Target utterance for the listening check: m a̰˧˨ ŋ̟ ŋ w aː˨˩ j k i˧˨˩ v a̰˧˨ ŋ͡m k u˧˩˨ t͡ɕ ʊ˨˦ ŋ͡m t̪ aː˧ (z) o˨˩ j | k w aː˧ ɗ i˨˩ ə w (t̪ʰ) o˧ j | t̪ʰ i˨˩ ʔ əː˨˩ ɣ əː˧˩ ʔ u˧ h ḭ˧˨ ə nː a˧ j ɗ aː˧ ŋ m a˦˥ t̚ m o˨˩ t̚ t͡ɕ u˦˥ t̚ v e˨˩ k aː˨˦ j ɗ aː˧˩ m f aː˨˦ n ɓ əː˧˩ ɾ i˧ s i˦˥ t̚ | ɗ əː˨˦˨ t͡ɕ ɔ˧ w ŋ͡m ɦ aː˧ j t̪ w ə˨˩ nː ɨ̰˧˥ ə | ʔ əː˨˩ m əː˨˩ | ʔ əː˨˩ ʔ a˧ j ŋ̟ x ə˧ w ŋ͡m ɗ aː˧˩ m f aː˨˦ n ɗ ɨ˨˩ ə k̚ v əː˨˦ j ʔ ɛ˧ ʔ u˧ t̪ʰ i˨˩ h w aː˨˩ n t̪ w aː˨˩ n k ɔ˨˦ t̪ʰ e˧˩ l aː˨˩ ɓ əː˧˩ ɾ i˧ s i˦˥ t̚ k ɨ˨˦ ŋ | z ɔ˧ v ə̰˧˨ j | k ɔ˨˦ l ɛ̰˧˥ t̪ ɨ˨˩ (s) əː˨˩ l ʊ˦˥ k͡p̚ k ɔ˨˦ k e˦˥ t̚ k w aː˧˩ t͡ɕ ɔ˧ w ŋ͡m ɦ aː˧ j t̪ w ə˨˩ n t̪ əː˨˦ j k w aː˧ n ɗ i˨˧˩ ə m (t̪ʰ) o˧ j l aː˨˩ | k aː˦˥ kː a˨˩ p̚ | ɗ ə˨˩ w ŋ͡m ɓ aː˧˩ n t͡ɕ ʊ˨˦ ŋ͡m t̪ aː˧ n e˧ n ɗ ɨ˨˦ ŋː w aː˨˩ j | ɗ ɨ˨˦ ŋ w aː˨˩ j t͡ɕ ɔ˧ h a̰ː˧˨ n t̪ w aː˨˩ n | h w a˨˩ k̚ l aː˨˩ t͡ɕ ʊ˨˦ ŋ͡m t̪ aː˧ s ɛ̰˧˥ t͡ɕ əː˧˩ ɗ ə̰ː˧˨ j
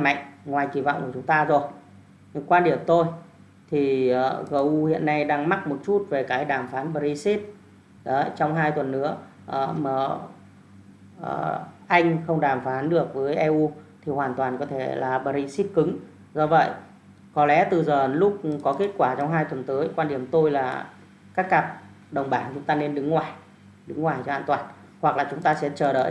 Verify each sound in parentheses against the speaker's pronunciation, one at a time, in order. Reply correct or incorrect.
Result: correct, incorrect: t̪, incorrect: z, incorrect: t̪

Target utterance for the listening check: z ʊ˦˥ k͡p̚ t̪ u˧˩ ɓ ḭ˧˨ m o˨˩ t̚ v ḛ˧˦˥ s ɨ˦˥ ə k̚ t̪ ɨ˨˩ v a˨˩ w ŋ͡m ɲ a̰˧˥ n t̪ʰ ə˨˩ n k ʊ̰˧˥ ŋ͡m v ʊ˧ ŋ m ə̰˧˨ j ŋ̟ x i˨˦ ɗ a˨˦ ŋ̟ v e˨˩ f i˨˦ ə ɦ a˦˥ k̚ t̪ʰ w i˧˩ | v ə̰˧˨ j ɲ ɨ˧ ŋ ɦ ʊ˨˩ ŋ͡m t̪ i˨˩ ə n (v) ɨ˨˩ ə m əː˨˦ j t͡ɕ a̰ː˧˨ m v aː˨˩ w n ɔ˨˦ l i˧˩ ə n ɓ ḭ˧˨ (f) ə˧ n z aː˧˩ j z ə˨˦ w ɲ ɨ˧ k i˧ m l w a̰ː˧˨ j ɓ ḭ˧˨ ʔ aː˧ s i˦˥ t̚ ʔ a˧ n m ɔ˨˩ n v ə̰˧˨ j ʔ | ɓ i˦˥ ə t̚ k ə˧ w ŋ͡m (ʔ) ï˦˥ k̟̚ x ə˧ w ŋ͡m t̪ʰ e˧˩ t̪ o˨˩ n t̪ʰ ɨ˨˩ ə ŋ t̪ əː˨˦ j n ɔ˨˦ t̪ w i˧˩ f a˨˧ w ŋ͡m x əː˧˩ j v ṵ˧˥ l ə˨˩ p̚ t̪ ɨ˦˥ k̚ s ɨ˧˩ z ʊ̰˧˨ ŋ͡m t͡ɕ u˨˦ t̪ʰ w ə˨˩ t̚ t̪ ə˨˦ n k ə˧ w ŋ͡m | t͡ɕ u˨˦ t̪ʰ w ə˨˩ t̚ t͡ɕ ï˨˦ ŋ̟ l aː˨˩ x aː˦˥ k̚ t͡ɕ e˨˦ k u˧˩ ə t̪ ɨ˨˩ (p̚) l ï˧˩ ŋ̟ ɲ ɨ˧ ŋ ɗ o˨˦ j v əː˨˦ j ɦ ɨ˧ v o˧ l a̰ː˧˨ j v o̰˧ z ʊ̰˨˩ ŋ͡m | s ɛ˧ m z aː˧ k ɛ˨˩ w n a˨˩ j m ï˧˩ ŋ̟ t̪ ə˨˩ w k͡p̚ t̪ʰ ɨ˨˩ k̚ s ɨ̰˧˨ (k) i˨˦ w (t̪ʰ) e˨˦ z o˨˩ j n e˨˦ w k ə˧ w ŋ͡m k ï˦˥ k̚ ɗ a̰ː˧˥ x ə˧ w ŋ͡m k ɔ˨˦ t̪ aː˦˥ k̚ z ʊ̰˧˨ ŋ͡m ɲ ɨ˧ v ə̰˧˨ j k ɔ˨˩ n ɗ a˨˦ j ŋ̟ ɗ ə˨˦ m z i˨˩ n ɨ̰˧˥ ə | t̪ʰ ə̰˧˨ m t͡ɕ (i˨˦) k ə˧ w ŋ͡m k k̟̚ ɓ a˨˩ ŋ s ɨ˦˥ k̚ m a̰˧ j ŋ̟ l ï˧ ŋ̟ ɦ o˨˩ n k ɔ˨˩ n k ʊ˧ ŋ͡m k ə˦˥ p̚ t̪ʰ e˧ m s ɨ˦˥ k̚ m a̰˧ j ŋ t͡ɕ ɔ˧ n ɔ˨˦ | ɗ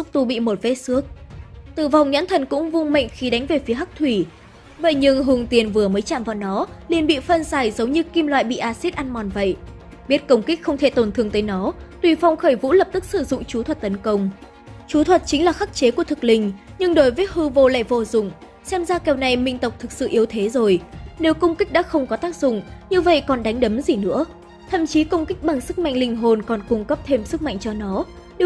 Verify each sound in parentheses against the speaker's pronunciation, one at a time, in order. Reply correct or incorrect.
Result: correct, correct, incorrect: k, incorrect: k̚, incorrect: ʔ, correct, correct

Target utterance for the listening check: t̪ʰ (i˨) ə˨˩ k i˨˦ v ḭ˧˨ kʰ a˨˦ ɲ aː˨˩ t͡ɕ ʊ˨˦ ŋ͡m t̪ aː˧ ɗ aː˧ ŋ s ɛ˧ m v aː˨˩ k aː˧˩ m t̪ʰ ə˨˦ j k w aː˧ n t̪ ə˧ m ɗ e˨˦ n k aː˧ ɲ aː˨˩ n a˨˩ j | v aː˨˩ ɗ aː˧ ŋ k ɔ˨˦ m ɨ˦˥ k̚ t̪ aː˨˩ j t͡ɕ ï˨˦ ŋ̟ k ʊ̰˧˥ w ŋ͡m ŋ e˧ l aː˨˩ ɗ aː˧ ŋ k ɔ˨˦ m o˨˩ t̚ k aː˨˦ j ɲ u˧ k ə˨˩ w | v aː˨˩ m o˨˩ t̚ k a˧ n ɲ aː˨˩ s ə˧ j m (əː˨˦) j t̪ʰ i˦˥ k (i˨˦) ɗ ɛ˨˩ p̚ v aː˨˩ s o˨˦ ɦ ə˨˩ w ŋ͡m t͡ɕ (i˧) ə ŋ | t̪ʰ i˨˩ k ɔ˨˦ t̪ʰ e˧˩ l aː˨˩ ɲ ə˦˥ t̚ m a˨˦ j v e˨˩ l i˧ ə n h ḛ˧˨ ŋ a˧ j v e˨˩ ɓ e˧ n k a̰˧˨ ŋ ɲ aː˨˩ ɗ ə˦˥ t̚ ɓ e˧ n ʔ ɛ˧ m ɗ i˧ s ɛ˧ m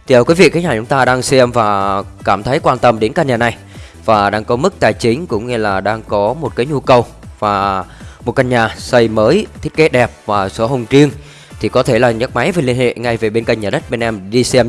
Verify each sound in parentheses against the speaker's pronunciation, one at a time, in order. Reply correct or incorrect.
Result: correct, correct, incorrect: e˨˦, correct

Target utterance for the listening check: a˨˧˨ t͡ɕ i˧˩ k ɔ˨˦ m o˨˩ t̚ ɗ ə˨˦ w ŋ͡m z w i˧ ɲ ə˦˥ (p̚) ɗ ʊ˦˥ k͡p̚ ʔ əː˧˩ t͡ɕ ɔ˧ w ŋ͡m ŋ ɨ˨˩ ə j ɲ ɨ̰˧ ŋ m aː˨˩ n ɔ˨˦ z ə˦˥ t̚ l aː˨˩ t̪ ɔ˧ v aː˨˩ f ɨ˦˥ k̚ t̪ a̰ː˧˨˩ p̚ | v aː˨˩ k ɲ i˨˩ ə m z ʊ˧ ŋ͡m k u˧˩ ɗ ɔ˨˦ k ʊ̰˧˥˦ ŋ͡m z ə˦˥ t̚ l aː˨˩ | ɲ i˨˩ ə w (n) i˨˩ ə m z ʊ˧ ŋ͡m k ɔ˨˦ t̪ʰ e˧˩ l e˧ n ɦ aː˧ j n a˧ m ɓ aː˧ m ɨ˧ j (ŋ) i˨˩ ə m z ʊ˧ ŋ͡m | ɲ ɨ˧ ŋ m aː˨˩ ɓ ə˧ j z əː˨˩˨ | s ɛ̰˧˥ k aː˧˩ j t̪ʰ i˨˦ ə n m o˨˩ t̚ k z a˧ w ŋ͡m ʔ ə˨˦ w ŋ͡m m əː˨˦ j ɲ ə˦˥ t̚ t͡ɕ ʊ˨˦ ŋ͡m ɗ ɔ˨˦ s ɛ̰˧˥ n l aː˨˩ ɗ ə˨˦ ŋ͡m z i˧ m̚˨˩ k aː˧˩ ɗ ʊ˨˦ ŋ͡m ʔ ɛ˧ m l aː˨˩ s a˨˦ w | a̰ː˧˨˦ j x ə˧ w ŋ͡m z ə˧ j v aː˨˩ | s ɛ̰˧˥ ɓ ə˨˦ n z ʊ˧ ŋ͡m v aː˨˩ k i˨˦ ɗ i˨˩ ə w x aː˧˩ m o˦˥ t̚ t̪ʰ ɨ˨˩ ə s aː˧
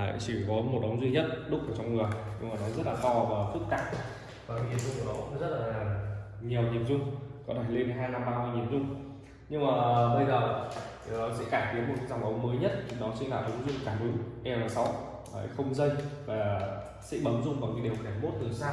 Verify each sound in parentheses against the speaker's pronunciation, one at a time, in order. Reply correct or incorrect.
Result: incorrect: t̚, incorrect: ɲ, incorrect: ɲ

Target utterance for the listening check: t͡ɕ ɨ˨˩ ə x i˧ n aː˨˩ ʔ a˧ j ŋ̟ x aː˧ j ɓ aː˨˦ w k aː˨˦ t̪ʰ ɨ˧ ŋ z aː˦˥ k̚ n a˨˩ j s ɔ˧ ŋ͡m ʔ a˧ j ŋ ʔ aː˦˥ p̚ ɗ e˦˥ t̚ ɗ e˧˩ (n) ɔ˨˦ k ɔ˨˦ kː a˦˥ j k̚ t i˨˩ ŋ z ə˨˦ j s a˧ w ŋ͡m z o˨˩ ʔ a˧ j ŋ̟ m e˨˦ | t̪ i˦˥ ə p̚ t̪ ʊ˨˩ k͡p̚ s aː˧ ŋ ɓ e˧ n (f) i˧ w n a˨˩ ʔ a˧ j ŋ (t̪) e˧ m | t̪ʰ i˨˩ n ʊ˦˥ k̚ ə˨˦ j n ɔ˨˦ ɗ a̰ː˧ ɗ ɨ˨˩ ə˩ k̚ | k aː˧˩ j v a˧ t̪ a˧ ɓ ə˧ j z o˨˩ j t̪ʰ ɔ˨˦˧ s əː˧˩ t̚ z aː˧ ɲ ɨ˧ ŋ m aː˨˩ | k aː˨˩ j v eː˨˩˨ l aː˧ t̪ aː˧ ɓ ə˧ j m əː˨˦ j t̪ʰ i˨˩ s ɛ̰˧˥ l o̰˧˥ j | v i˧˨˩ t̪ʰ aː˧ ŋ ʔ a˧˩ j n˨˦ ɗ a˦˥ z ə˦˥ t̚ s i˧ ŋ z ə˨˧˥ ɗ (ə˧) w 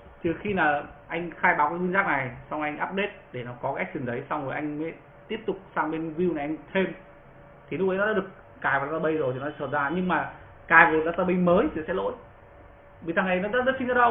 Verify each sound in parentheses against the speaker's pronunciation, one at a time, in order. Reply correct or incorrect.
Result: correct, incorrect: v, incorrect: t̪ʰ, correct

